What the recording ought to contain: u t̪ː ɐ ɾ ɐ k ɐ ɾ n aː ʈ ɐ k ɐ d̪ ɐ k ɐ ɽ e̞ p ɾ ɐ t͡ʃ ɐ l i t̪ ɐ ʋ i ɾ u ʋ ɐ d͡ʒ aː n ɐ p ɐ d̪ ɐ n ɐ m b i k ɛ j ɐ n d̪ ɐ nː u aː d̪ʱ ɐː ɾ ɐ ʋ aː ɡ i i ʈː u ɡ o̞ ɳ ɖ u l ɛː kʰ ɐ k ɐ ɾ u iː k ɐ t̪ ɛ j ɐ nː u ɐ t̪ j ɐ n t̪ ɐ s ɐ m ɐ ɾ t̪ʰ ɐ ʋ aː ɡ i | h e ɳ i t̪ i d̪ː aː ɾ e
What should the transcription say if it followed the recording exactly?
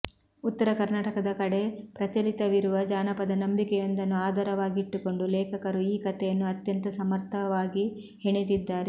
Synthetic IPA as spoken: u t̪ː ɐ ɾ ɐ k ɐ ɾ n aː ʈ ɐ k ɐ d̪ ɐ k ɐ ɽ e̞ p ɾ ɐ t͡ʃ ɐ l i t̪ ɐ ʋ i ɾ u ʋ ɐ d͡ʒ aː n ɐ p ɐ d̪ ɐ n ɐ m b i k ɛ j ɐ n d̪ ɐ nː u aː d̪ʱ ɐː ɾ ɐ ʋ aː ɡ i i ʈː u k o̞ ɳ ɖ u l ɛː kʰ ɐ k ɐ ɾ u iː k ɐ t̪ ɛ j ɐ nː u ɐ t̪ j ɐ n t̪ ɐ s ɐ m ɐ ɾ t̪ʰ ɐ ʋ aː ɡ i | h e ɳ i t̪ i d̪ː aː ɾ e